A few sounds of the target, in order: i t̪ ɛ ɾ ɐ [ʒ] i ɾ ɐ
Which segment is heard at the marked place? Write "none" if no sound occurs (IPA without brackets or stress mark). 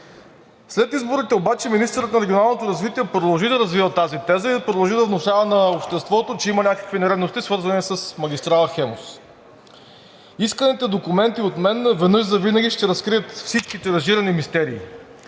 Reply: ʒ